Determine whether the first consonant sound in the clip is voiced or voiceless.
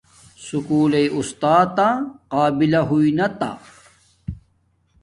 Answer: voiceless